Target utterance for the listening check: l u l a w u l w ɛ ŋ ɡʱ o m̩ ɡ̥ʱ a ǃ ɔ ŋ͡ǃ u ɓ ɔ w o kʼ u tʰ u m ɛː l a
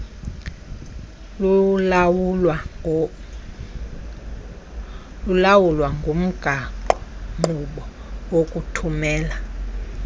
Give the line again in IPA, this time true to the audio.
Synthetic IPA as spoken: l u l a w u l w a ŋ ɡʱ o m̩ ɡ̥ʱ a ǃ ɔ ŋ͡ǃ u ɓ ɔ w o kʼ u tʰ u m ɛː l a

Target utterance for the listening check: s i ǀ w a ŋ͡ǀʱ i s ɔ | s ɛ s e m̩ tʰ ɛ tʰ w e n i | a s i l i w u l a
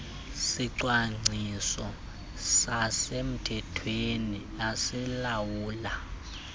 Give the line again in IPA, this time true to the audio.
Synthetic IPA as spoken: s i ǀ w a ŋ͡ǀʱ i s ɔ | s a s e m̩ tʰ ɛ tʰ w e n i | a s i l a w uː l a

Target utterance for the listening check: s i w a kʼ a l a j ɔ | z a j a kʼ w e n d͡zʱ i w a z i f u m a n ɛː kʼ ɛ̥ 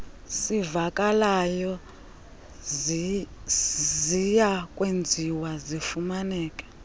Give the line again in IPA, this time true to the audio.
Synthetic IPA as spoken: s i v a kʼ a l a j ɔ | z i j a kʼ w e n d͡zʱ i w a z i f u m a n ɛː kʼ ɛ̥

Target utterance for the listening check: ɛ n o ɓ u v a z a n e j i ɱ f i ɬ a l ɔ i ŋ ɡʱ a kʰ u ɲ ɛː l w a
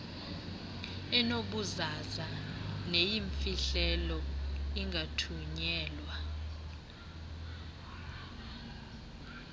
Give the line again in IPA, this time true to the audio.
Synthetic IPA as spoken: ɛ n o ɓ u z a z a n e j i ɱ f i ɬ ɛ l ɔ i ŋ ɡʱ a tʰ u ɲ ɛː l w a

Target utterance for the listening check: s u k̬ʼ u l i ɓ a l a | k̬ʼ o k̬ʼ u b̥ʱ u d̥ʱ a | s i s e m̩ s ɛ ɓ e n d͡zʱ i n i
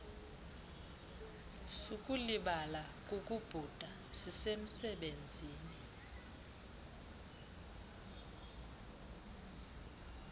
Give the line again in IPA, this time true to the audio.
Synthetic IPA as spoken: s u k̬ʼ u l i ɓ a l a | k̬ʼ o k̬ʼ u b̥ʱ u d̥ʱ a | s i s e m̩ s ɛ ɓ e n d͡zʱ iː n i

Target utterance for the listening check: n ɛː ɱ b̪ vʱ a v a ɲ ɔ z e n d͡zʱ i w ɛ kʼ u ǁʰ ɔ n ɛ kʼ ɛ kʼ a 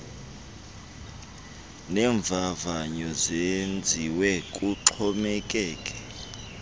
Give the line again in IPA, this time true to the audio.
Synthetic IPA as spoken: n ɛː ɱ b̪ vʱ a v a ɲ ɔ z e n d͡zʱ i w ɛ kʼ u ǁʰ ɔ m ɛ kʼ ɛː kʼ ɛ

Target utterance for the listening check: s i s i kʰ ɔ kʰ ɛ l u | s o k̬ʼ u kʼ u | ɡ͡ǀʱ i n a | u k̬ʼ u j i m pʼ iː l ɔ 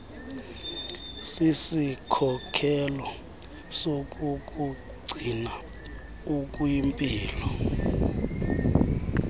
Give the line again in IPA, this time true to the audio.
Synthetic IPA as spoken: s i s i kʰ ɔ kʰ ɛ l ɔ | s o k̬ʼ u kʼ u | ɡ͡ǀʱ i n a | u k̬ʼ u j i m pʼ iː l ɔ

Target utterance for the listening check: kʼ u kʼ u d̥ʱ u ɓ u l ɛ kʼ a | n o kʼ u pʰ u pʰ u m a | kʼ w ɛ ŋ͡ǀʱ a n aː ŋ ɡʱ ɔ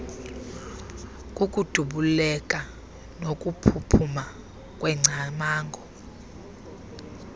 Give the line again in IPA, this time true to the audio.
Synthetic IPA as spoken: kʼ u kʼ u d̥ʱ u ɓ u l ɛ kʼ a | n o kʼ u pʰ u pʰ u m a | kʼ w ɛ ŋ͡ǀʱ a m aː ŋ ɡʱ ɔ

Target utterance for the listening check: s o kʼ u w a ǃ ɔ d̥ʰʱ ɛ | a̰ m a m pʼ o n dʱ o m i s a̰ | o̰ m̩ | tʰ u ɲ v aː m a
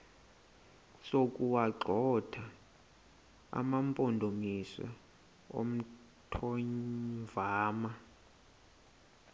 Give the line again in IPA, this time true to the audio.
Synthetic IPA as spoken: s o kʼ u w a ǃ ɔ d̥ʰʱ a | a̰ m a m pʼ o n dʱ o m i s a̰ | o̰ m̩ | tʰ ɔ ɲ v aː m a

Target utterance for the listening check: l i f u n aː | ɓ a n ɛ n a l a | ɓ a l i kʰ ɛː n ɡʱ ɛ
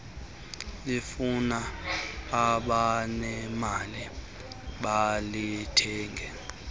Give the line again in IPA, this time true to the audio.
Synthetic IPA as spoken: l i f u n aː | ɓ a n ɛ m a l i | ɓ a l i tʰ ɛː ŋ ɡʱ ɛ

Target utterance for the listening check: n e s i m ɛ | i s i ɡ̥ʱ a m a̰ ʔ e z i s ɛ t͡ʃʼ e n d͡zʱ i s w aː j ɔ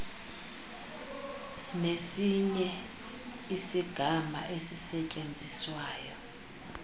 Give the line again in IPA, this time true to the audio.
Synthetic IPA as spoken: n e s i ɲ ɛ | i s i ɡ̥ʱ a m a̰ ʔ e s i s ɛ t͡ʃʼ e n d͡zʱ i s w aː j ɔ

